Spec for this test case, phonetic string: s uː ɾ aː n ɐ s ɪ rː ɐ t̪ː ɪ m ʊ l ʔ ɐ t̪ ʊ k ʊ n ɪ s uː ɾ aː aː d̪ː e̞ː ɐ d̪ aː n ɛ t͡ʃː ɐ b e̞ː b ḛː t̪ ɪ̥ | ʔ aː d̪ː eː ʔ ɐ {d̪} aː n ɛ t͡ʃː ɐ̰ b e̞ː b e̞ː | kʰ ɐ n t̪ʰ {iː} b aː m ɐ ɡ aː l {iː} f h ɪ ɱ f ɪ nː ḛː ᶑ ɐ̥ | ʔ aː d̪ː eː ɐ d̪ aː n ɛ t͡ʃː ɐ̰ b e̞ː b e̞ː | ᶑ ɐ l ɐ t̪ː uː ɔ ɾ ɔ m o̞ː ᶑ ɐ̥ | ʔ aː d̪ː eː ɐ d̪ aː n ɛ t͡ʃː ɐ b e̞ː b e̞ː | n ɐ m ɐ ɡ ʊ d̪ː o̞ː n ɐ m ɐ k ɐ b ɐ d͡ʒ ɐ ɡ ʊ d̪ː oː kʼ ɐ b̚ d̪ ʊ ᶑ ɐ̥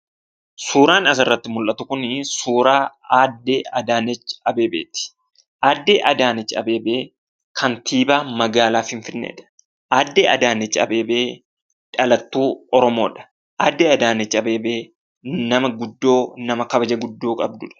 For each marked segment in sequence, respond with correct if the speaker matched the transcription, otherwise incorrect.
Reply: correct, correct, incorrect

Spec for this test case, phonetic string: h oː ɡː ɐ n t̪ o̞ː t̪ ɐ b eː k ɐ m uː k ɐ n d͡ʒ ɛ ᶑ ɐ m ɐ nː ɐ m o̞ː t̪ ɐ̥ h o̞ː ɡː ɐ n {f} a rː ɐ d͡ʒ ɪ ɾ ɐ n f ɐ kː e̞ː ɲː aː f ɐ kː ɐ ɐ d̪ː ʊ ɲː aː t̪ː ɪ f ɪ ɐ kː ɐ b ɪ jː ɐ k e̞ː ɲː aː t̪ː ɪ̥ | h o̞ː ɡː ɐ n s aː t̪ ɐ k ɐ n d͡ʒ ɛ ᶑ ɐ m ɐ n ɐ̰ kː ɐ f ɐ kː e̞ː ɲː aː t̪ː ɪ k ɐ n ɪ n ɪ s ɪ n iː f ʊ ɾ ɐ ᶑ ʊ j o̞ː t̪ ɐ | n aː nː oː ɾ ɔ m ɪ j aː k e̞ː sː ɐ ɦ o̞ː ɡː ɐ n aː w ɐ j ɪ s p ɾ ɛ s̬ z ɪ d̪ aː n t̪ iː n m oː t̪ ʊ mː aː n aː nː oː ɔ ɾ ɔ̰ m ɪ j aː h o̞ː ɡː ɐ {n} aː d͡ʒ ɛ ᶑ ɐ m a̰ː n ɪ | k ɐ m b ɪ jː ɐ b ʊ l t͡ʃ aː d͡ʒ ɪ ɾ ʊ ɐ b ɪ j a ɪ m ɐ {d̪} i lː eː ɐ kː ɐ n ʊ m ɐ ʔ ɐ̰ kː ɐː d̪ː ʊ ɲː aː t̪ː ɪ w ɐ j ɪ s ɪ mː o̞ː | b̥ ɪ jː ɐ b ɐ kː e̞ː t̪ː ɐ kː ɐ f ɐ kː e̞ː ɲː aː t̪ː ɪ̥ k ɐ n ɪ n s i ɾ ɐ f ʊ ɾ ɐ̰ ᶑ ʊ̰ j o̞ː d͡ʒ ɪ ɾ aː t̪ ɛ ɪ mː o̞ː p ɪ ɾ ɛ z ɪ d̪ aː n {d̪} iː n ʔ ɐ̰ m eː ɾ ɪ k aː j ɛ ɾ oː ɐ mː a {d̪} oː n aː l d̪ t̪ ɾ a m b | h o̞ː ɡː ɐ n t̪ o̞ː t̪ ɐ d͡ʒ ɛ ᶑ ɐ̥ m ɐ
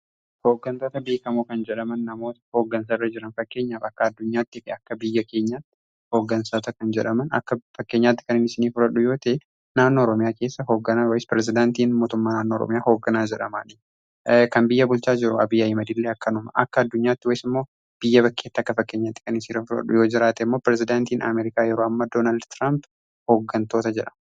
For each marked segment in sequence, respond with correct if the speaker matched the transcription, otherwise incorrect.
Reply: incorrect, correct, correct, incorrect, correct

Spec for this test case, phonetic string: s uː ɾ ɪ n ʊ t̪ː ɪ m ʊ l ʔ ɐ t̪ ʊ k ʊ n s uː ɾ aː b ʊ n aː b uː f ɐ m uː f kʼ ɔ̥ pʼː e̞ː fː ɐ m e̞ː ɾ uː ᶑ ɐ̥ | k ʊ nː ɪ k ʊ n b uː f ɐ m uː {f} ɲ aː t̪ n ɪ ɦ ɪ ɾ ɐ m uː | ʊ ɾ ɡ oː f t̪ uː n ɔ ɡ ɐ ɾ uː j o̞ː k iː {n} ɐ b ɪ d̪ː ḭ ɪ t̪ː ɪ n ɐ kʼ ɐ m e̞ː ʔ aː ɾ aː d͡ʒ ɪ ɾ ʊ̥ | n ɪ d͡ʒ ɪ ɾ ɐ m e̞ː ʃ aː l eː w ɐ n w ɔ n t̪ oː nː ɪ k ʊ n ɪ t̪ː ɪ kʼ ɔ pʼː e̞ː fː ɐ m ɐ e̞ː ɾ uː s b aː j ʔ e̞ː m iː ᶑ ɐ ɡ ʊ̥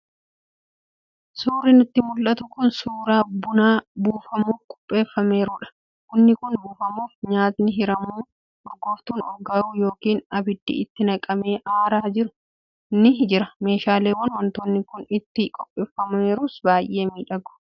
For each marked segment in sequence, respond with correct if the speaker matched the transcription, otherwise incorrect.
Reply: correct, correct

